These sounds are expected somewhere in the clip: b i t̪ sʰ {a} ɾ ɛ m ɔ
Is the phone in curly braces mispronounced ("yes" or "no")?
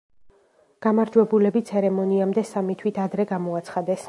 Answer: yes